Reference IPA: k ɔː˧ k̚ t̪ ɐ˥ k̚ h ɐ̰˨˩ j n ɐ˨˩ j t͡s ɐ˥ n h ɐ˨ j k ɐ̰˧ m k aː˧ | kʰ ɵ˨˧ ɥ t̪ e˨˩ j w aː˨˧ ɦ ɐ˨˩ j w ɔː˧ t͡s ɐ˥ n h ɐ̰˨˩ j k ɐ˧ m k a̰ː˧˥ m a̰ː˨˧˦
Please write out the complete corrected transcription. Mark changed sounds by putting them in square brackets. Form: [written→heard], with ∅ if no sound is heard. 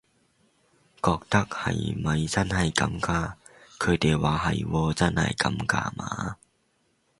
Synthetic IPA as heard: k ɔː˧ k̚ t̪ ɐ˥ k̚ h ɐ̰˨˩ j [n→m] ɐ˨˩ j t͡s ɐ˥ n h ɐ˨ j k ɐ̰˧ m k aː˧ | kʰ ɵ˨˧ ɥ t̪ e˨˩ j w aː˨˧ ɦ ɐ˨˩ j w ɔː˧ t͡s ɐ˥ n h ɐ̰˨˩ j k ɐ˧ m k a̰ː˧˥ m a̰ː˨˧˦